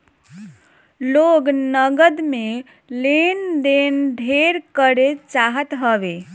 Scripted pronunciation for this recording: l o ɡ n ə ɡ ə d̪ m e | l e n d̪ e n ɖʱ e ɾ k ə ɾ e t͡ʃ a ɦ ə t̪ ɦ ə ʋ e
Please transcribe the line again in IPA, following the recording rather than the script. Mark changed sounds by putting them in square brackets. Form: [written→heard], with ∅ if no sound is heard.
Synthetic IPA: l o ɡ n ə ɡ ə d̪ m e | l e n d̪ e n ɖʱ e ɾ k ə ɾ e t͡ʃ a ɦ ə t̪ ɦ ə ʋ e